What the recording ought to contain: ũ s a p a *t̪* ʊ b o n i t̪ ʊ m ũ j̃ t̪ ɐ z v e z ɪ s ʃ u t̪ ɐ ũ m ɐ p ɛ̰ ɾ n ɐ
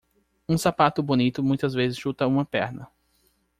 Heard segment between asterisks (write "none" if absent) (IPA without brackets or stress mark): t̪